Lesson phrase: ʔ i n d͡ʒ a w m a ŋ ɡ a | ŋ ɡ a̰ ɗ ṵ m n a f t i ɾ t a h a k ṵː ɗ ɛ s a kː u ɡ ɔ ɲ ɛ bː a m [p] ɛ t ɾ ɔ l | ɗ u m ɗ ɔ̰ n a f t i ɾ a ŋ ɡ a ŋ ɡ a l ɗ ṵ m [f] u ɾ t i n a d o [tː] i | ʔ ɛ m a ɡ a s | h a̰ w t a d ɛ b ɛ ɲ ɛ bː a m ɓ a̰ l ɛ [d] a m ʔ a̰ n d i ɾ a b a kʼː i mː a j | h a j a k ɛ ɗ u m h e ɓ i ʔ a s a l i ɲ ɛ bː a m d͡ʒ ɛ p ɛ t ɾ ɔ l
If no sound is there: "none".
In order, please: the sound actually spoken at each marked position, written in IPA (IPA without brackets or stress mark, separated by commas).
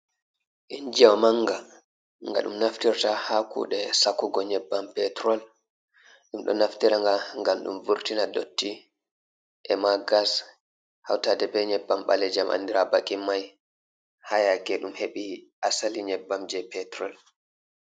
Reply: p, v, tː, d͡ʒ